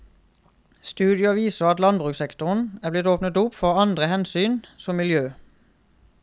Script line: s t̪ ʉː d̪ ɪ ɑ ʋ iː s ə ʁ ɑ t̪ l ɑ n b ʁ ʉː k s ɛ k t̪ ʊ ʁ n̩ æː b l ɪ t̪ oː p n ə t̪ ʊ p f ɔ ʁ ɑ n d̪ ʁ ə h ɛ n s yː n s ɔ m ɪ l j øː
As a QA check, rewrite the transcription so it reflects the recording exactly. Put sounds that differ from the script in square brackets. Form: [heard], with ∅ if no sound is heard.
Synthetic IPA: s t̪ ʉː d̪ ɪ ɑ ʋ iː s ə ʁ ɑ t̪ l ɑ n b ʁ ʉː k s ɛ k t̪ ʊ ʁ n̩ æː b l ɪ t̪ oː p n ə t̪ ʊ p f ɔ ʁ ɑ n d̪ ʁ ə h ɛ n s yː n s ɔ m ɪ l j øː